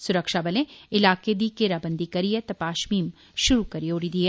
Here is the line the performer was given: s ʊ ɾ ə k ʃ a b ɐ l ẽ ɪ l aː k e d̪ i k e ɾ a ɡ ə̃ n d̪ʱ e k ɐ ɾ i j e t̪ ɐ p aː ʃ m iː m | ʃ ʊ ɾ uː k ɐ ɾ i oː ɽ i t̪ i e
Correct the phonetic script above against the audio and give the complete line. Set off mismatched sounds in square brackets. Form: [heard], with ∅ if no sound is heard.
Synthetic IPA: s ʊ ɾ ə k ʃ a b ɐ l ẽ ɪ l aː k e d̪ i k e ɾ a [b] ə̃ n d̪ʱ [i] k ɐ ɾ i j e t̪ ɐ p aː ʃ m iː m | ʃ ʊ ɾ [u] k ɐ ɾ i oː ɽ i [d̪] i e